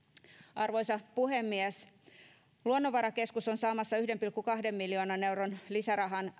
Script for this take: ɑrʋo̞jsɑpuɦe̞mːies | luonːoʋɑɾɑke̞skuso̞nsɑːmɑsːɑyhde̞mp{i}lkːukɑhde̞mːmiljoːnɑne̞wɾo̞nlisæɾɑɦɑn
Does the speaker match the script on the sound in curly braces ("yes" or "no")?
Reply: yes